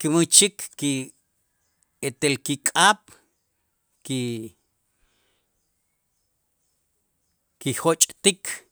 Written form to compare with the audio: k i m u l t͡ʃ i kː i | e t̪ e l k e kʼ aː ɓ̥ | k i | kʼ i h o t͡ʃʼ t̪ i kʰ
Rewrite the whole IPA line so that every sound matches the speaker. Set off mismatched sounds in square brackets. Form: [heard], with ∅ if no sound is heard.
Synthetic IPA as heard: k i m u [∅] t͡ʃ i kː i | e t̪ e l k [i] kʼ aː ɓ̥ | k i | [k] i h o t͡ʃʼ t̪ i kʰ